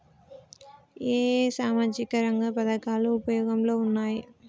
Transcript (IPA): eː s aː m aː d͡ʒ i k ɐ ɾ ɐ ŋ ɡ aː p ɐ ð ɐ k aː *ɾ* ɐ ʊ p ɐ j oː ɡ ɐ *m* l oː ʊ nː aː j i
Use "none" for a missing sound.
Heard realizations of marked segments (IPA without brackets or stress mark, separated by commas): l, m